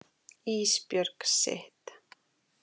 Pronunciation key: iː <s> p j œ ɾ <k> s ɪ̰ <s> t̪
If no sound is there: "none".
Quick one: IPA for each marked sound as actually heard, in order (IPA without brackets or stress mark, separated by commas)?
s, k, h